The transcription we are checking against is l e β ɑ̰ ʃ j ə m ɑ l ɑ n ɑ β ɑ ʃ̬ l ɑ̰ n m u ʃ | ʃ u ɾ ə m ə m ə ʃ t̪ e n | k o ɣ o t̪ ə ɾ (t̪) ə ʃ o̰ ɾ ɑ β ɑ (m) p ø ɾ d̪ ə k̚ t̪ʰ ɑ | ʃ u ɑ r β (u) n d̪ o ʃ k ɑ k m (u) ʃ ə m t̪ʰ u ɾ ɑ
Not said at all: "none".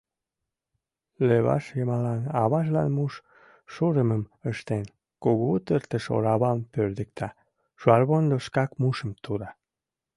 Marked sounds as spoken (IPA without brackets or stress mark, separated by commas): t̪, m, o, u